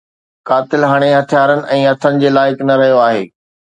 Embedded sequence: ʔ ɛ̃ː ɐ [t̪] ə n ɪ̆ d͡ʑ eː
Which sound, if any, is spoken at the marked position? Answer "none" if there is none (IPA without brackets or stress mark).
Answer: t̪ʰ